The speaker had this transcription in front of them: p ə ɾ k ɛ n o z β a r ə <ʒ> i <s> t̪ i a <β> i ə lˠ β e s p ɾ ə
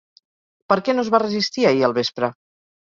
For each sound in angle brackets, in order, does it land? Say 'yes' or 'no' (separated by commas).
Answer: no, yes, no